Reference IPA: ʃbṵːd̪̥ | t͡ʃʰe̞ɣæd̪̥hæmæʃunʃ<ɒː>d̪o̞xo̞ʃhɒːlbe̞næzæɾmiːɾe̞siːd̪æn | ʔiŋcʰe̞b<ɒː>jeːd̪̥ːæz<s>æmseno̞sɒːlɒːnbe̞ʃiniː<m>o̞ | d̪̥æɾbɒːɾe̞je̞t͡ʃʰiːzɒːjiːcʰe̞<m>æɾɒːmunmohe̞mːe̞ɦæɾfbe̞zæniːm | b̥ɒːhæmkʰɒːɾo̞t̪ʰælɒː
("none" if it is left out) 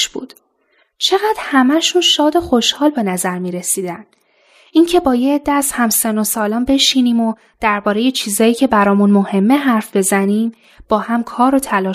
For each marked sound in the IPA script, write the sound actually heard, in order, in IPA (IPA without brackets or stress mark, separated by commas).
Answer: ɒː, ɒː, h, m, b